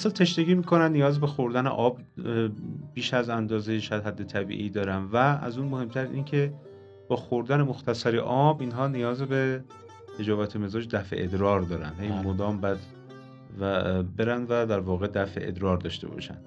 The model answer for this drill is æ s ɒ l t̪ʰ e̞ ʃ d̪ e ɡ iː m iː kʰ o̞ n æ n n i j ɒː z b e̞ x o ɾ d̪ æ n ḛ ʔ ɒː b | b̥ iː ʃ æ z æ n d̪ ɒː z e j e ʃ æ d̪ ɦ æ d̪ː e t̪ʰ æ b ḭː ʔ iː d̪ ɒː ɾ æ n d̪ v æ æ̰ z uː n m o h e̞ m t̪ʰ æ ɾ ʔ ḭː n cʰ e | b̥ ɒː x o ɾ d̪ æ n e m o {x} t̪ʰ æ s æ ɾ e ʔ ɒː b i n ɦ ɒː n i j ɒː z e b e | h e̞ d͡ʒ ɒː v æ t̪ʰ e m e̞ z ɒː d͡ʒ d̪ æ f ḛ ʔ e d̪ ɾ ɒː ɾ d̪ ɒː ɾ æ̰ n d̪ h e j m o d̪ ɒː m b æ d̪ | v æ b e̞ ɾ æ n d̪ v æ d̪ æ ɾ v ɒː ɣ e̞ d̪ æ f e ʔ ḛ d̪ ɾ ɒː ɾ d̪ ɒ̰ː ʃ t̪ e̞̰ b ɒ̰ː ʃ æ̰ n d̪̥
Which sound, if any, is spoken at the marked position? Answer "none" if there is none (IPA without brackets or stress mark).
x